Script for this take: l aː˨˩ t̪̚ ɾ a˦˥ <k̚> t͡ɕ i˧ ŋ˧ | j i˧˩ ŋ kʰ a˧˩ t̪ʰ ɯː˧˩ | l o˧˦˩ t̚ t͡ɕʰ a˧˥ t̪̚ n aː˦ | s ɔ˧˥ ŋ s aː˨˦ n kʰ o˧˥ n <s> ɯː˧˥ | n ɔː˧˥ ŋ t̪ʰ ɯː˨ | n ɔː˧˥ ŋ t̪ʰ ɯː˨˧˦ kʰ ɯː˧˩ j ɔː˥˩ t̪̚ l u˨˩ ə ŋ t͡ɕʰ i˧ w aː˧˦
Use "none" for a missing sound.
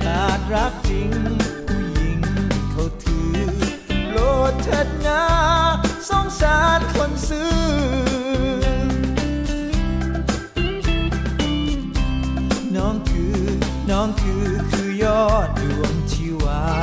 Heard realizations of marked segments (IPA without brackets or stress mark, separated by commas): k̚, s